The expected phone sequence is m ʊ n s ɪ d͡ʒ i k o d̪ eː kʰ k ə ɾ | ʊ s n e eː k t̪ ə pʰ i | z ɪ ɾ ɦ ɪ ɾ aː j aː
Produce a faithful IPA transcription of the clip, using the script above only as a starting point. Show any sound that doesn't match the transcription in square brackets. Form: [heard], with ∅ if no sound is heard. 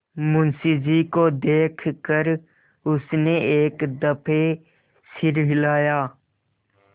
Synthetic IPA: m ʊ n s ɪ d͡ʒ i k o d̪ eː kʰ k ə ɾ | ʊ s n e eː k [d̪] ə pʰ [e] | [s] ɪ ɾ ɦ ɪ [l] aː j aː